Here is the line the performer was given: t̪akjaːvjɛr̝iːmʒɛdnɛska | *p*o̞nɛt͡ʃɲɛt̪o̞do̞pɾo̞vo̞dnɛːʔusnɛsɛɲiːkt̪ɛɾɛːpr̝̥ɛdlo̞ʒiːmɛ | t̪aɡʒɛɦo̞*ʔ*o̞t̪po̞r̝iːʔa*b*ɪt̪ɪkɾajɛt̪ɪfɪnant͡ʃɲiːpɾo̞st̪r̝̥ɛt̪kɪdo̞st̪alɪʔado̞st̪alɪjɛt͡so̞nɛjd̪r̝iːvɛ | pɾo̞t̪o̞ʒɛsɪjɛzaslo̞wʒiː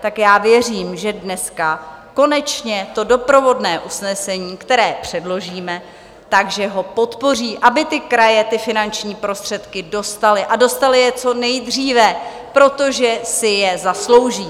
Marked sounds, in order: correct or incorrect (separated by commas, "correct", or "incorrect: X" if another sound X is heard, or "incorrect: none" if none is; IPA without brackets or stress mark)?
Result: incorrect: k, incorrect: p, correct